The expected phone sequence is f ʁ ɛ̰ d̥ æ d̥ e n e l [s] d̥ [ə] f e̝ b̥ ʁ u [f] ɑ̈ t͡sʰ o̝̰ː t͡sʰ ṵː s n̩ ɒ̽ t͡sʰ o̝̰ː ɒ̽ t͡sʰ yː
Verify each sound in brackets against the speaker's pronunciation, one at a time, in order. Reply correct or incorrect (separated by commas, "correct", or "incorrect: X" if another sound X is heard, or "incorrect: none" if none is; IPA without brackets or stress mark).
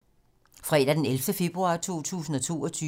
incorrect: f, correct, incorrect: none